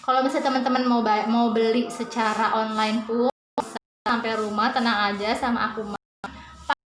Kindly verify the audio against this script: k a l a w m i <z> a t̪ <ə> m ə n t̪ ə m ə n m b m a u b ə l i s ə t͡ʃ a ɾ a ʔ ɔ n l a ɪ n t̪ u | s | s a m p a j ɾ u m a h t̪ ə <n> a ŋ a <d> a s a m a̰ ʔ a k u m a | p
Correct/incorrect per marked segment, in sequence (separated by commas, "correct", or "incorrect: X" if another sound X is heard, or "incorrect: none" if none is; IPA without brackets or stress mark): incorrect: s, correct, correct, incorrect: d͡ʒ